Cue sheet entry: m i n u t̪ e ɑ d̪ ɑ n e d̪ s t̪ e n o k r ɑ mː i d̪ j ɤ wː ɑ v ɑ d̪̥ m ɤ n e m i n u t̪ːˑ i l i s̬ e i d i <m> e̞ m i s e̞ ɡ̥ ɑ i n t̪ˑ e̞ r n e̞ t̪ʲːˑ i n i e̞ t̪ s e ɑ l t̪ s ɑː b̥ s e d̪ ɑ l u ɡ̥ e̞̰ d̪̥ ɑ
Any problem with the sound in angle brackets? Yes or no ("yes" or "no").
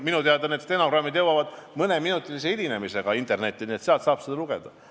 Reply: yes